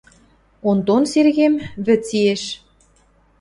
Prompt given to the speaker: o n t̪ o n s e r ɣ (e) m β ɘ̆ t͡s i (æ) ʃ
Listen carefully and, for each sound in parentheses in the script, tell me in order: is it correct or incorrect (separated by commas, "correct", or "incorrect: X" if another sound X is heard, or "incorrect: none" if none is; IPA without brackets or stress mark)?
correct, incorrect: e